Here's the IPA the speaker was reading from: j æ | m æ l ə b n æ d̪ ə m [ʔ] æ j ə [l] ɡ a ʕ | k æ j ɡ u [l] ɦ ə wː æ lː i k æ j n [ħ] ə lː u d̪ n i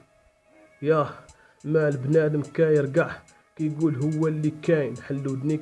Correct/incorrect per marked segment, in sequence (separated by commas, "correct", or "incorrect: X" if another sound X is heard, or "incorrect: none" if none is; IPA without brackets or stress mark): incorrect: k, incorrect: ɾ, correct, correct